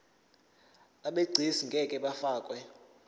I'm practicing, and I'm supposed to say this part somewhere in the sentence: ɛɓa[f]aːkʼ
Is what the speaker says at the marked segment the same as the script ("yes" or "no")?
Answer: yes